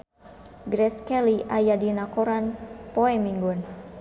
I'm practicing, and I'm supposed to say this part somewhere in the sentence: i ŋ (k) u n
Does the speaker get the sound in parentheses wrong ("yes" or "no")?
yes